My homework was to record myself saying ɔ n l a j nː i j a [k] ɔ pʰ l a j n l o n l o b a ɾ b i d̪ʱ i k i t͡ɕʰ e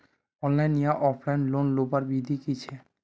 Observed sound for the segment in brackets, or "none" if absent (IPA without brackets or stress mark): ʔ